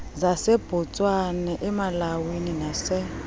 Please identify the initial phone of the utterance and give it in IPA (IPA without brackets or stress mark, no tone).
z